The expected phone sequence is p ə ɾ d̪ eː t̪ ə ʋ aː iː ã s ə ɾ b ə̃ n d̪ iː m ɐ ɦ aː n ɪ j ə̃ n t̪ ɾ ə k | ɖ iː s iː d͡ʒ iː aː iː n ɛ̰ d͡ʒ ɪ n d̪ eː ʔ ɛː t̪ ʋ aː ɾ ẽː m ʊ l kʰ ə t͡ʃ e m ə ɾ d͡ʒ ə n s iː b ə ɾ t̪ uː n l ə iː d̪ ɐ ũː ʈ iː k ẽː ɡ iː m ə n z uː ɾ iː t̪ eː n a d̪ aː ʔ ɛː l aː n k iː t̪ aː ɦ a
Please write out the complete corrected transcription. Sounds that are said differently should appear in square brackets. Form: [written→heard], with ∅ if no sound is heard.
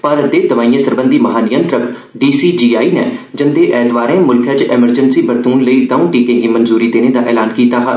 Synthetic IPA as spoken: p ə ɾ d̪ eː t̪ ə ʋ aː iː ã s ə ɾ b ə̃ n d̪ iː m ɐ ɦ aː n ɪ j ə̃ n t̪ ɾ ə k | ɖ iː s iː d͡ʒ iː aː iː n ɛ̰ d͡ʒ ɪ n d̪ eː ʔ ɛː t̪ ʋ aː ɾ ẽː m ʊ l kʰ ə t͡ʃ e m ə ɾ d͡ʒ ə n s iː b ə ɾ t̪ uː n l ə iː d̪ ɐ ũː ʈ iː k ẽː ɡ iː m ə n z uː ɾ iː [t̪→d̪] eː n [a→e] d̪ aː ʔ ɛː l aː n k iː t̪ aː ɦ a